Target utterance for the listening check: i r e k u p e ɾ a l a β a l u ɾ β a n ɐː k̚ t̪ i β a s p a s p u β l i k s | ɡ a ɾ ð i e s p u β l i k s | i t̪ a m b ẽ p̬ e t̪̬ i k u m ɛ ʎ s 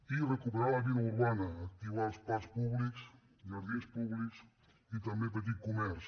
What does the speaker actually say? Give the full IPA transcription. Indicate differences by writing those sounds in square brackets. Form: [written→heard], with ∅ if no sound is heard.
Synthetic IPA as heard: i r e k u p e ɾ a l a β [a→i] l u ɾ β a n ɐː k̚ t̪ i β a s p a s p u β l i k s | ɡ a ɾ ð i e s p u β l i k s | i t̪ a m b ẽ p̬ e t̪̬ i k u m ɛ [ʎ→ɾ] s